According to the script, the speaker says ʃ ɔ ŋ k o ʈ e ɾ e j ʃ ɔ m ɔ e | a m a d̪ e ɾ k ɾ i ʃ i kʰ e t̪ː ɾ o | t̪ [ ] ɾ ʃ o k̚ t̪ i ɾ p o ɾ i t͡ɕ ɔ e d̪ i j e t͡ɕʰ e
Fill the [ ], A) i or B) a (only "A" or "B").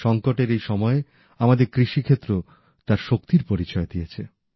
B